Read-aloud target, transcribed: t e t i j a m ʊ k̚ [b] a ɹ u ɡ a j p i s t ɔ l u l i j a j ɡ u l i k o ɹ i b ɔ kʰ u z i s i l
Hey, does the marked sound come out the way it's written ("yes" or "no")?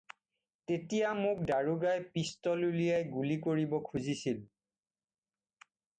no